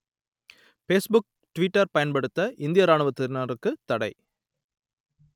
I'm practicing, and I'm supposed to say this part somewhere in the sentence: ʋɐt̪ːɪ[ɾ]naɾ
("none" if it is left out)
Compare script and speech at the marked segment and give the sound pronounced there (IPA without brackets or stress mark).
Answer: ɾ